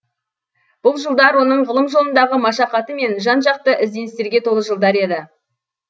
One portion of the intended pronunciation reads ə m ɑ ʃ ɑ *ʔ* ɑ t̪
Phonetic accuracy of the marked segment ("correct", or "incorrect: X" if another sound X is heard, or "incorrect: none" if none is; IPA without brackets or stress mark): incorrect: q